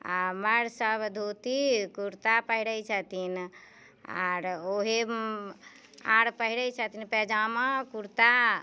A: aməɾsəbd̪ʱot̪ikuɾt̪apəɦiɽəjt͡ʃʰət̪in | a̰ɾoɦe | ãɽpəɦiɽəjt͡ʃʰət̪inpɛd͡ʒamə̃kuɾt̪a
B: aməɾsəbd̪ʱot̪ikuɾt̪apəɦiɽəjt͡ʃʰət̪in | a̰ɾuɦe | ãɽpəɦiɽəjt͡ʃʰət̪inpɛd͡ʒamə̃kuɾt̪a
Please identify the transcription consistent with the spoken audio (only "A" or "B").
A